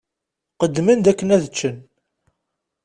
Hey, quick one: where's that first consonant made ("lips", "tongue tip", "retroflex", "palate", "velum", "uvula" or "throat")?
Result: uvula